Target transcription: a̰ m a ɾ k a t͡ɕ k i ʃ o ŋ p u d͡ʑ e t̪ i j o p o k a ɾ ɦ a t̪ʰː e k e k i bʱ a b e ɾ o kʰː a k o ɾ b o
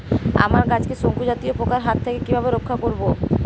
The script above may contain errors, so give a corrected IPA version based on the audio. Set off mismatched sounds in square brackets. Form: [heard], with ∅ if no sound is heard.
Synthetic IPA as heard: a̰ m a ɾ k a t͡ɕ k [e] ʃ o ŋ [k] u d͡ʑ [a] t̪ i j o p o k a ɾ ɦ a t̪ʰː e k e k i bʱ a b e ɾ o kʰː a k o ɾ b o

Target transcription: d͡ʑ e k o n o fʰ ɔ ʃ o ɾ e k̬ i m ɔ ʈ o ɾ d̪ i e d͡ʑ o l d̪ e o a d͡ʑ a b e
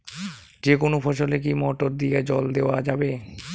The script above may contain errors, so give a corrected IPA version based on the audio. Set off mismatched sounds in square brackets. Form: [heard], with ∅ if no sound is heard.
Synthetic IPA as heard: d͡ʑ e k o n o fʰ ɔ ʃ o [l] e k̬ i m ɔ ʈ o ɾ d̪ i e d͡ʑ [ɔ] l d̪ e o a d͡ʑ a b e

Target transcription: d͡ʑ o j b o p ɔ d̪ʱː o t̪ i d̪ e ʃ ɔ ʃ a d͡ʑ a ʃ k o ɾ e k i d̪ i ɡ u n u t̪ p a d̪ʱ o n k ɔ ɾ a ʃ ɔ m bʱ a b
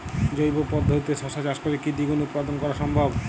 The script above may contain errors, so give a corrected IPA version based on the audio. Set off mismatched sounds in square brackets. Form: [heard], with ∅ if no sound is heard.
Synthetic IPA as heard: d͡ʑ o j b o p ɔ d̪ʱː o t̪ i [t̪] e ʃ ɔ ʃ a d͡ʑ a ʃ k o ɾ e k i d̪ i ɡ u n u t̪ p a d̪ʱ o n k ɔ ɾ a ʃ ɔ m bʱ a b

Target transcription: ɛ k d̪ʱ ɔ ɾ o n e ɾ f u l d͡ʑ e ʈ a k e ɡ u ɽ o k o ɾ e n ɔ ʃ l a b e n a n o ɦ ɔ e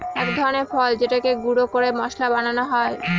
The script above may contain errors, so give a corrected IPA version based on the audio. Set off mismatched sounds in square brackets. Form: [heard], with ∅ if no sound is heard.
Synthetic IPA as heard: ɛ k d̪ʱ ɔ ɾ o n e ɾ f [ɔ] l d͡ʑ e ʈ a k e ɡ u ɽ o k o ɾ e [m] ɔ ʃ l a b [a] n a n o ɦ ɔ e

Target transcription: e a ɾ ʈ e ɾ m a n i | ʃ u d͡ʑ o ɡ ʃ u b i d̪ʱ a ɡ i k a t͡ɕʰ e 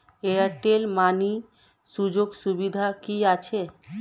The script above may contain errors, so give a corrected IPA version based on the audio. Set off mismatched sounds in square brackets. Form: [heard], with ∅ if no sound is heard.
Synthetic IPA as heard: e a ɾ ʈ e [l] m a n i | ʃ u d͡ʑ o ɡ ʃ u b i d̪ʱ a [k] i [∅] a t͡ɕʰ e

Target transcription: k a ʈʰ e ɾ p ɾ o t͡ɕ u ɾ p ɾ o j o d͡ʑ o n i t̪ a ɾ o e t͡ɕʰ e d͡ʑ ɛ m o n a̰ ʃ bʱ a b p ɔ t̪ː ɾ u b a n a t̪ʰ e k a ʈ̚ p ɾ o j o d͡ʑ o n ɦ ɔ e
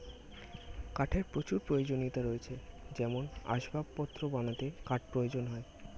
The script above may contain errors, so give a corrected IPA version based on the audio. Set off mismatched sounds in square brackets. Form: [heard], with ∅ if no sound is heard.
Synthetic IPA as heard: k a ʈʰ e ɾ p ɾ o t͡ɕ u ɾ p ɾ o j o d͡ʑ o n i t̪ a ɾ o e t͡ɕʰ e d͡ʑ ɛ m o n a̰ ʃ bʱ a b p ɔ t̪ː ɾ [o] b a n a [t̪] e k a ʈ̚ p ɾ o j o d͡ʑ o n ɦ ɔ e

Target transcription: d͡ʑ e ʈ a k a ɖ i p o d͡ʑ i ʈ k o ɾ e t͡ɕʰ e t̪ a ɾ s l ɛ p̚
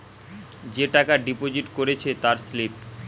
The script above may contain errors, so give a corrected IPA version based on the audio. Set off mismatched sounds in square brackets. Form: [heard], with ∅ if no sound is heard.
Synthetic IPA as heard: d͡ʑ e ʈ a k a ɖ i p o d͡ʑ i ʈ k o ɾ e t͡ɕʰ e t̪ a ɾ s l [i] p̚

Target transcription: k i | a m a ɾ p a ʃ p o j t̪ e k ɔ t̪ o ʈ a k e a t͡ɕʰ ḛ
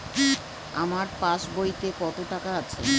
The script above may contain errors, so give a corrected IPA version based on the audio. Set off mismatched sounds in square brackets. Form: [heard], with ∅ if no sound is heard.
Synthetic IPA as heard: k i | a m a ɾ p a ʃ [b] o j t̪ e k ɔ t̪ o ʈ a k [a] a t͡ɕʰ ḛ

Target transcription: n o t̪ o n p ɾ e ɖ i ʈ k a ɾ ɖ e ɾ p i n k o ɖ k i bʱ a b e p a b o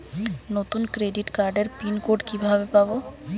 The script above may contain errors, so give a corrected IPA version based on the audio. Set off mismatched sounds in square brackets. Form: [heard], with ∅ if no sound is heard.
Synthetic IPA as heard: n o t̪ [u] n [k] ɾ e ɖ i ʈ k a ɾ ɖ e ɾ p i n k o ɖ k i bʱ a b e p a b o

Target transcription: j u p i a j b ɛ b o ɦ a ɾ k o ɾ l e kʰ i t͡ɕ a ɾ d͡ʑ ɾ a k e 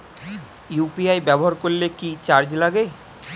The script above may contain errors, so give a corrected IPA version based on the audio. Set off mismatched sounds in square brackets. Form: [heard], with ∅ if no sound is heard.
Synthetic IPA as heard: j u p i a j b ɛ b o ɦ a ɾ k o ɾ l e [k] i t͡ɕ a ɾ d͡ʑ [l] a [ɡ] e

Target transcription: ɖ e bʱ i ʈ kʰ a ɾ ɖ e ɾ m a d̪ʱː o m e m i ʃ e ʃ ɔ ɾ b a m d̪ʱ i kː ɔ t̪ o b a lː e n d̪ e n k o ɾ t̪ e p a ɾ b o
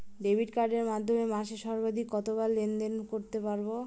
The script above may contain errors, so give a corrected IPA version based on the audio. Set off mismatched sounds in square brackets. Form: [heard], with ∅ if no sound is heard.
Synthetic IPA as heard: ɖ e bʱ i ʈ [k] a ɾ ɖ e ɾ m a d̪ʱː o m e m [a] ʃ e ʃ ɔ ɾ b a [∅] d̪ʱ i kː ɔ t̪ o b a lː e n d̪ e n k o ɾ t̪ e p a ɾ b o

